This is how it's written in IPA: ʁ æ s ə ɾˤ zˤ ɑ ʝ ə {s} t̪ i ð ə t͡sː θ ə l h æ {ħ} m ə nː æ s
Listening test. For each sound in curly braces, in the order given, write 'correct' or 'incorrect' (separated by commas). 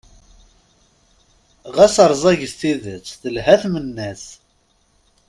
correct, incorrect